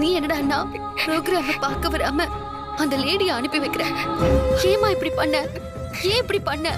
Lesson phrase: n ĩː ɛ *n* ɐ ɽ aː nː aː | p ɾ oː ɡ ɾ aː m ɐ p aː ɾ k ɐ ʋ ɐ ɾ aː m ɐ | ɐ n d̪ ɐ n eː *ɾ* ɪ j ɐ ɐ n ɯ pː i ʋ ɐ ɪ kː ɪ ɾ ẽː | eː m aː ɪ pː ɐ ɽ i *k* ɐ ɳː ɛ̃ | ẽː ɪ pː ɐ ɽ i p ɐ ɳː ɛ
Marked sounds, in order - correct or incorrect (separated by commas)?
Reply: incorrect, incorrect, incorrect